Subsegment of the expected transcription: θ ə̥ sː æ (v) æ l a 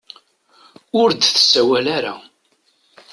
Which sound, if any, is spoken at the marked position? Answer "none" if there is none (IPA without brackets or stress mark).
w